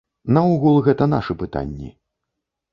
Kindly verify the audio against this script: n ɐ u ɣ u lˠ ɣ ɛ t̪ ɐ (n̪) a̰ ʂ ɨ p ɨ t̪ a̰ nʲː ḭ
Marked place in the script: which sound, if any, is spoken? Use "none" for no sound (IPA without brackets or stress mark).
n̪